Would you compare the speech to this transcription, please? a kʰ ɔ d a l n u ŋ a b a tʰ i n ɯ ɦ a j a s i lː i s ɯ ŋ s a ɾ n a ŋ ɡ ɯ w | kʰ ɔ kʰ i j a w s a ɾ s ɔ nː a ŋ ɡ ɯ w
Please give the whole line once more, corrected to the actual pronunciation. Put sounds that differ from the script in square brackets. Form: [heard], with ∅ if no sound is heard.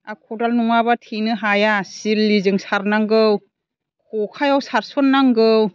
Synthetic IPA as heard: a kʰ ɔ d a l n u ŋ a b a tʰ i n ɯ ɦ a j a s i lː i [z] ɯ ŋ s a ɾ n a ŋ ɡ ɯ w | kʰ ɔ kʰ [a] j a w s a ɾ s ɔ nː a ŋ ɡ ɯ w